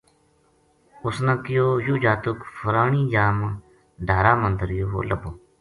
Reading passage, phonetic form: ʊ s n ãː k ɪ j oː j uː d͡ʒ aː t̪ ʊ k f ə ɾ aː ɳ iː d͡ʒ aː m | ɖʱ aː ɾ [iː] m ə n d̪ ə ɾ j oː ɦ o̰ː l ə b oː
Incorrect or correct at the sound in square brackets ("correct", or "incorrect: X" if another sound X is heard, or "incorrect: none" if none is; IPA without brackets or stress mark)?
incorrect: aː